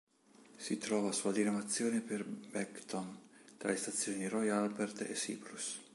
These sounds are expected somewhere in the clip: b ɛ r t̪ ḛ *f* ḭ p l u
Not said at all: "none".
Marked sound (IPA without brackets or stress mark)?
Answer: s